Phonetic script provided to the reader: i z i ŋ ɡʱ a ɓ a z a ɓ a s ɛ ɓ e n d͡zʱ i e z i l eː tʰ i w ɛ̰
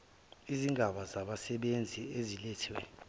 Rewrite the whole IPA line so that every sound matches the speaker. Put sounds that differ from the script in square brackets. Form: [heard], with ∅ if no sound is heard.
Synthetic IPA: i z i ŋ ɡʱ a ɓ a z a ɓ a s ɛ ɓ e n d͡zʱ i e z i l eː tʰ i w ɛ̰